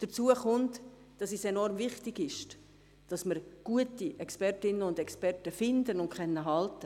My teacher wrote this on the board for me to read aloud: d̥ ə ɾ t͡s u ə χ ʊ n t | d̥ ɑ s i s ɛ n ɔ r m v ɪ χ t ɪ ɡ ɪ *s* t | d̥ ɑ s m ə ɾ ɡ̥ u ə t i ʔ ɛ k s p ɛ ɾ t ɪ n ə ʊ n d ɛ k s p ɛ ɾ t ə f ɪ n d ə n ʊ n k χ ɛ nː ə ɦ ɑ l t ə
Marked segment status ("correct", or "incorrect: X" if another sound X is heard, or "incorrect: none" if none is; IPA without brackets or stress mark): incorrect: ʃ